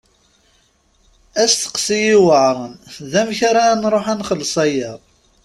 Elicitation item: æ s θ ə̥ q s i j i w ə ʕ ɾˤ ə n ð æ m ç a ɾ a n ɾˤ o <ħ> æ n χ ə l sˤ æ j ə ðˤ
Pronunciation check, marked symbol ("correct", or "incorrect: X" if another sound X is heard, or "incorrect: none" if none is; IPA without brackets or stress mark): correct